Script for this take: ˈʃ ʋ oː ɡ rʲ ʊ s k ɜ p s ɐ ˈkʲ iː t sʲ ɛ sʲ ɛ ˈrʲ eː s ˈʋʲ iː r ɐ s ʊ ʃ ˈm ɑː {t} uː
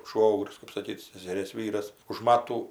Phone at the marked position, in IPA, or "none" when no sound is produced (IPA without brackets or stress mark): t